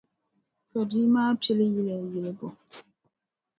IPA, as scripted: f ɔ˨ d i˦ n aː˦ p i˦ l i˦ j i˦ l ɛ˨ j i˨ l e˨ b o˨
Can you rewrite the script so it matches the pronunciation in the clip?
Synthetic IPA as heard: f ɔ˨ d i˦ m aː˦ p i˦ l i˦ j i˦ l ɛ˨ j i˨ l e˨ b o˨